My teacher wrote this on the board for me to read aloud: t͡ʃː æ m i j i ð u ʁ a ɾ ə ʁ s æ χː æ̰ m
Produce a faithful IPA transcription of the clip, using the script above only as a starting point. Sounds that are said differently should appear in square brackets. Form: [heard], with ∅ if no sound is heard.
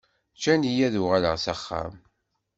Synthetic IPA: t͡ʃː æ [n] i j [æ] ð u ʁ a [l] ə ʁ s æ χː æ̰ m